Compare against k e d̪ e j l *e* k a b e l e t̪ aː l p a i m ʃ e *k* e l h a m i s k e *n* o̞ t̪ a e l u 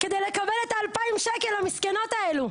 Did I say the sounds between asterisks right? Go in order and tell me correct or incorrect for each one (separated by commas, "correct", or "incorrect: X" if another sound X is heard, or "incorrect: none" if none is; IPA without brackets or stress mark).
correct, correct, correct